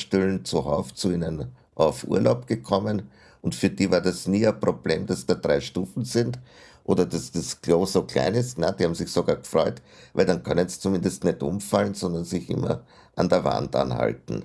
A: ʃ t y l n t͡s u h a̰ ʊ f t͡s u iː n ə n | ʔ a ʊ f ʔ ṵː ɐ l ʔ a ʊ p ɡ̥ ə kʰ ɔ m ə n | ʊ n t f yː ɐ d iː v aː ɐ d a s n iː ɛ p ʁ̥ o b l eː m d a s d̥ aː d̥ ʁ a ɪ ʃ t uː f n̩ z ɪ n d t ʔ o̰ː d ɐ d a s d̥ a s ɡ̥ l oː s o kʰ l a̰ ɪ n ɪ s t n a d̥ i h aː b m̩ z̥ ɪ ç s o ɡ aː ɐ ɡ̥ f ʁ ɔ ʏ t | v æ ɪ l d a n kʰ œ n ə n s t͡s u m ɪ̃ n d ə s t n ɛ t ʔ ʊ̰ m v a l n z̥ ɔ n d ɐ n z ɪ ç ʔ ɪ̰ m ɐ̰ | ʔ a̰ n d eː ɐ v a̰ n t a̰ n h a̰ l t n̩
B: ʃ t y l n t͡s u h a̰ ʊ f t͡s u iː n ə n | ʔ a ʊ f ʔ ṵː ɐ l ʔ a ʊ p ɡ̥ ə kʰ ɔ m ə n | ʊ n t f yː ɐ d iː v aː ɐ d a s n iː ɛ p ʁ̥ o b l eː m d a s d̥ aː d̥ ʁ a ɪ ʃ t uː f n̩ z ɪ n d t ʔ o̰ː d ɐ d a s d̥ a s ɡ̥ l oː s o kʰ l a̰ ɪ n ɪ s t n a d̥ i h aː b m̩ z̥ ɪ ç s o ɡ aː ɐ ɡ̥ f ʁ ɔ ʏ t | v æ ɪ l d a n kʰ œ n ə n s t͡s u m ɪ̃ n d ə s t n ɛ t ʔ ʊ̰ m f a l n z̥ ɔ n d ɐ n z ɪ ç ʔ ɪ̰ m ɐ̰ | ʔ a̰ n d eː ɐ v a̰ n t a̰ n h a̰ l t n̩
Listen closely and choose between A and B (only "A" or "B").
B